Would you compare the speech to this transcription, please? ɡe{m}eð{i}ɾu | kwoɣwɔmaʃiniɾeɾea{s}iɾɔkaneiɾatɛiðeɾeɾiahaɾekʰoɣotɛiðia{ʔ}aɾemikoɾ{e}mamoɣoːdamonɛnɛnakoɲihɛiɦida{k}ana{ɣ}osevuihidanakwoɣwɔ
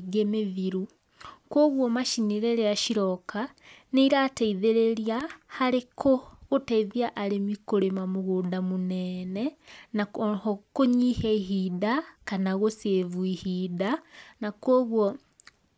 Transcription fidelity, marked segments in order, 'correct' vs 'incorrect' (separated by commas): correct, correct, incorrect, correct, correct, correct, correct